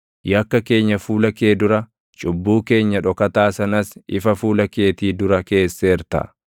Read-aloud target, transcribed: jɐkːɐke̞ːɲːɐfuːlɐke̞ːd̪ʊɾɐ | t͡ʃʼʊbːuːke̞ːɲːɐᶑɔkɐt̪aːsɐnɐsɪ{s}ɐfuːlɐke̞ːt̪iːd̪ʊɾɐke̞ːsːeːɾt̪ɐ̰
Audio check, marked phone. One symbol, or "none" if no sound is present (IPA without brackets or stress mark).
f